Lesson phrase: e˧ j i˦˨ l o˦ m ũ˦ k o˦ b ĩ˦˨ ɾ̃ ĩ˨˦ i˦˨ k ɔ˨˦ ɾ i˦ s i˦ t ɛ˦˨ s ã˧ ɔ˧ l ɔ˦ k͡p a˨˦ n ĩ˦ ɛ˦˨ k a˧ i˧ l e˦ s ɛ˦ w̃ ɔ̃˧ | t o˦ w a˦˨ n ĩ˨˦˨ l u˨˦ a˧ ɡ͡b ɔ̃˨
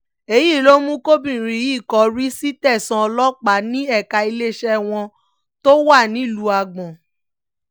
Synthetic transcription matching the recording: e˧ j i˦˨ l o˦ m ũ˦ k o˦ b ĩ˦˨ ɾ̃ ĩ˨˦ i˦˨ k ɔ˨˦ ɾ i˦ s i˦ t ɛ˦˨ s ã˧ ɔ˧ l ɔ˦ k͡p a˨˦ n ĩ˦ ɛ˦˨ k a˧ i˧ l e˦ ʃ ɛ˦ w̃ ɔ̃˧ | t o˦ w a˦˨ n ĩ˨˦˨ l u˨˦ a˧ ɡ͡b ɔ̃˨